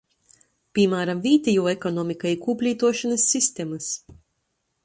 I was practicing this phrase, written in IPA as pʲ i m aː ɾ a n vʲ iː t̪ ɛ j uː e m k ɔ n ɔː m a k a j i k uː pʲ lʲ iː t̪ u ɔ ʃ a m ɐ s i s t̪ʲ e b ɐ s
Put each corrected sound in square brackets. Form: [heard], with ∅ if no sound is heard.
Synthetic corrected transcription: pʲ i m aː ɾ a [m] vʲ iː t̪ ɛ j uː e [∅] k ɔ n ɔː m [i] k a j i k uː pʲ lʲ iː t̪ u ɔ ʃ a [n] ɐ [sː] i s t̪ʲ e [m] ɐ s